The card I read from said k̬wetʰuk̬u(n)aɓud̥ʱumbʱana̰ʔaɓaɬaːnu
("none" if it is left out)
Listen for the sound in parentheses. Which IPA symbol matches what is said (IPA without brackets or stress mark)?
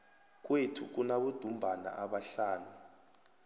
n